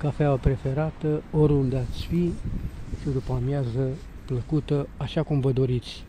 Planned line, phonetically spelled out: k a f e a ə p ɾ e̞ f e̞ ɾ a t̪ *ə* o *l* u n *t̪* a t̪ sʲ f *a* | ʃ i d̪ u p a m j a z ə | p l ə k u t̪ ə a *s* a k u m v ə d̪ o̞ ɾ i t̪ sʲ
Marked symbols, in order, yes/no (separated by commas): yes, no, no, no, no